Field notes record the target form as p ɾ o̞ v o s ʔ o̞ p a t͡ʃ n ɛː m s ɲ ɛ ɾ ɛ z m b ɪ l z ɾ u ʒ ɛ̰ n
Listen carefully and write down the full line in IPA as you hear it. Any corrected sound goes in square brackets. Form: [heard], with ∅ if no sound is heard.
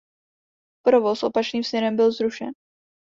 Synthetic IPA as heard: p ɾ o̞ v o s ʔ o̞ p a t͡ʃ n [iː] m s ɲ ɛ ɾ ɛ [∅] m b ɪ l z ɾ u [ʃ] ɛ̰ n